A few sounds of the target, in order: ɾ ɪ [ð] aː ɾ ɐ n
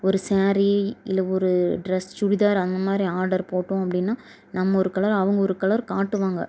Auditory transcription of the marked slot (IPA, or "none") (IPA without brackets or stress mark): ð